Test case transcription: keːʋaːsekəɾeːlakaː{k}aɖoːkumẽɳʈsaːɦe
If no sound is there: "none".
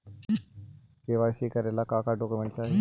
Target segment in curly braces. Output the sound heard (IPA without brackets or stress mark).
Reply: k